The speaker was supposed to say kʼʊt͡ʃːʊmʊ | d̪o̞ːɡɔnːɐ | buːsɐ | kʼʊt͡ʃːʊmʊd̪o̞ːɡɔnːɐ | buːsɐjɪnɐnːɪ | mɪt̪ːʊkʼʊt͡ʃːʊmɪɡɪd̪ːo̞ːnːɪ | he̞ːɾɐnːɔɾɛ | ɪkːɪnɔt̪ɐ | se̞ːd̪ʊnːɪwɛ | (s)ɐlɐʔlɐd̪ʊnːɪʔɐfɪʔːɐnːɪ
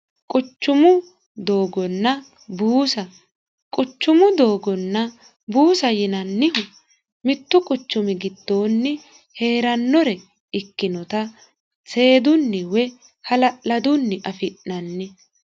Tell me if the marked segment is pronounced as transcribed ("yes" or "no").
no